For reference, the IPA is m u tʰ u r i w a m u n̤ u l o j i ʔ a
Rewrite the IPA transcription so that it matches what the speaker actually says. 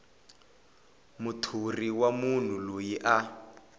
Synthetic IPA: m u tʰ u r i w a m u n̤ u l o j i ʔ a